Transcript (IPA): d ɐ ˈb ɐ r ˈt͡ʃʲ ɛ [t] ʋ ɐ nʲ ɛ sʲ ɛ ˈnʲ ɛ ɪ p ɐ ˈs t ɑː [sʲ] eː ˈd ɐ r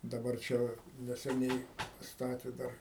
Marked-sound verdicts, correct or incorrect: incorrect: none, incorrect: tʲ

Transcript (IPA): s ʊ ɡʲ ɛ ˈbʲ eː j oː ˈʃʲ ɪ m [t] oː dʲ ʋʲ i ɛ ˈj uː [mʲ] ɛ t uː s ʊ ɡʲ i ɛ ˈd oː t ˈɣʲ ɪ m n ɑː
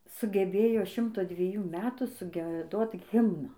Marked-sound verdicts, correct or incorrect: correct, correct

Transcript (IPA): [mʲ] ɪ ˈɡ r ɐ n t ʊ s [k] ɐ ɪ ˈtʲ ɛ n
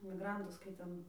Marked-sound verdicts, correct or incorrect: correct, correct

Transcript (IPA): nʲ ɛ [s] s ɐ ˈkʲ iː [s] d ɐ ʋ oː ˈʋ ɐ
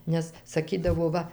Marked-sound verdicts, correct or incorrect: correct, incorrect: none

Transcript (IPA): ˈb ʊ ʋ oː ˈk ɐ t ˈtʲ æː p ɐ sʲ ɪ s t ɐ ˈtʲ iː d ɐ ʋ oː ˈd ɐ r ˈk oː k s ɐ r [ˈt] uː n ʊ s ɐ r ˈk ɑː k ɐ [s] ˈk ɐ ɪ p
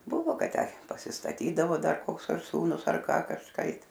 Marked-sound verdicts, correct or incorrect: incorrect: s, incorrect: ʃ

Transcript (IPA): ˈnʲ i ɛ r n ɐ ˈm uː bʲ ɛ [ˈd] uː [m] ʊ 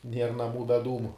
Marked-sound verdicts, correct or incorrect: correct, correct

